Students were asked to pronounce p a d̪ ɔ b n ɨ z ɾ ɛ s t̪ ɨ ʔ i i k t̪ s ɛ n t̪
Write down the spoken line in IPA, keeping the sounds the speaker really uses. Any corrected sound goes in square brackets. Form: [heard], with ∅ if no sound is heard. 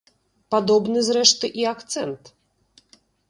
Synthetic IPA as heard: p a d̪ ɔ b n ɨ z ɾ ɛ [ʂ] t̪ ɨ ʔ i [a] k t̪ s ɛ n t̪

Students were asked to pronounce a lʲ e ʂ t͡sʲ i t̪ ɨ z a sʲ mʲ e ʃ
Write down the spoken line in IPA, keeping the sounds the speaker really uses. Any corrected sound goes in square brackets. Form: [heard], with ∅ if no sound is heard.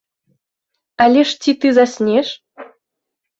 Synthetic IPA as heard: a lʲ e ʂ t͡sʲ i t̪ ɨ z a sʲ [nʲ] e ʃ

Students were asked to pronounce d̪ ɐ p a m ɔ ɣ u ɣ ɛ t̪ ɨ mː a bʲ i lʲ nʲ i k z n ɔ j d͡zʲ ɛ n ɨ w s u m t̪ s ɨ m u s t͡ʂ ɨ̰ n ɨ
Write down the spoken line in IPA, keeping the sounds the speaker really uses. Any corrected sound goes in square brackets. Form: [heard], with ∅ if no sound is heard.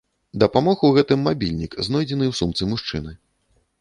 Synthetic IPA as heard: d̪ ɐ p a m ɔ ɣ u ɣ ɛ t̪ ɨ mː a bʲ i lʲ nʲ i k z n ɔ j d͡zʲ ɛ n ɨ w s u m t̪ s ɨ m u [ʂ] t͡ʂ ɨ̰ n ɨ

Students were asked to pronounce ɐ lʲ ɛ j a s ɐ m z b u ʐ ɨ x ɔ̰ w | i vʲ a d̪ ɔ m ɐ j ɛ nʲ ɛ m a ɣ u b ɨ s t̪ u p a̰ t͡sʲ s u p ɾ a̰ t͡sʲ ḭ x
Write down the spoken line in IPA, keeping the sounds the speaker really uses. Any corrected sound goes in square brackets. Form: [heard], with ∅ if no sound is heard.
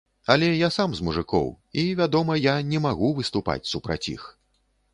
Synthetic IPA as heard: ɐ lʲ ɛ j a s [a] m z [m] u ʐ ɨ [k] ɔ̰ w | i vʲ a d̪ ɔ m ɐ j [a] nʲ ɛ m a ɣ u [v] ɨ s t̪ u p a̰ t͡sʲ s u p ɾ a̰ t͡sʲ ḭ x

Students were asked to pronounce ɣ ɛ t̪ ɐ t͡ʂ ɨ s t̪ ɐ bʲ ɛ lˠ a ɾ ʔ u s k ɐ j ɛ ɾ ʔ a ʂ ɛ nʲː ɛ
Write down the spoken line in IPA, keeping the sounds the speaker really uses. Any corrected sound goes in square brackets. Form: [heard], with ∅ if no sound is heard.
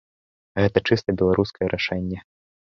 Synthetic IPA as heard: ɣ ɛ t̪ ɐ t͡ʂ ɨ s t̪ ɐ bʲ ɛ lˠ a ɾ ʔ u s k ɐ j ɛ ɾ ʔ a ʂ ɛ nʲː ɛ

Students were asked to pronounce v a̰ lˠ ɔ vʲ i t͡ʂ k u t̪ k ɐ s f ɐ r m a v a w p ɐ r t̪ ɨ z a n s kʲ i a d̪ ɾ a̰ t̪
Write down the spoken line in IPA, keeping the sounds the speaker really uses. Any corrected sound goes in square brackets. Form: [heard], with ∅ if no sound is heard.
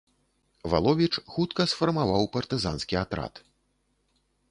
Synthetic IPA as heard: v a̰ lˠ ɔ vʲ i t͡ʂ [x] u t̪ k ɐ s f ɐ r m a v a w p ɐ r t̪ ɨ z a n s kʲ i a [t̪] ɾ a̰ t̪

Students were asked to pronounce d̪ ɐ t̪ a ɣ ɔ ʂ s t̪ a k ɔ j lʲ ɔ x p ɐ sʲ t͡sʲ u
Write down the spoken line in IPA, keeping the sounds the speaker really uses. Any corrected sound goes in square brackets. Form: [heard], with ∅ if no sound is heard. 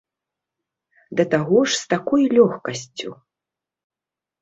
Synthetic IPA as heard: d̪ ɐ t̪ a ɣ ɔ ʂ s t̪ a k ɔ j lʲ ɔ x [k] ɐ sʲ t͡sʲ u

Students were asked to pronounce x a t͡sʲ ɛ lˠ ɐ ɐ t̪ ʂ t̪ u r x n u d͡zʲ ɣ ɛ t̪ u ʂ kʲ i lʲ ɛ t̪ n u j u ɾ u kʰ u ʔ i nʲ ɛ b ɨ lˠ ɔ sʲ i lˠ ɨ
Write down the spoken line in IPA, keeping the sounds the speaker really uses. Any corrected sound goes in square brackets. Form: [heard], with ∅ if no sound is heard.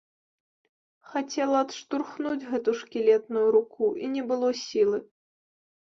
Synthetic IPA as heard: x a t͡sʲ ɛ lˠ ɐ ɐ t̪ ʂ t̪ u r x n u d͡zʲ ɣ ɛ t̪ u ʂ kʲ i lʲ ɛ t̪ n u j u ɾ u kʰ u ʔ i nʲ ɛ b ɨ lˠ ɔ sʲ i lˠ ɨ

